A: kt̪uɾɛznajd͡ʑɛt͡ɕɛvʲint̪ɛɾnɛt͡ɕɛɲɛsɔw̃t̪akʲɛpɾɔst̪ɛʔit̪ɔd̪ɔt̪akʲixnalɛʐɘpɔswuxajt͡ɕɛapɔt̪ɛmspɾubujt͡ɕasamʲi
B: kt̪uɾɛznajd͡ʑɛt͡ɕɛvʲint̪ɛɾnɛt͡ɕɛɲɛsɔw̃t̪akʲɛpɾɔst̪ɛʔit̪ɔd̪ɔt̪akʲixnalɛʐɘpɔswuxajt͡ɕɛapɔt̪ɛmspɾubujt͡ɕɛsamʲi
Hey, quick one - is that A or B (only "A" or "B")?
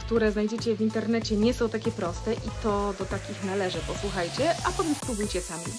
B